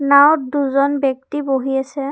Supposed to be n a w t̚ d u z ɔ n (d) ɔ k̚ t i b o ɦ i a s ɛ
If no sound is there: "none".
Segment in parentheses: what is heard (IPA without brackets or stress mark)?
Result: b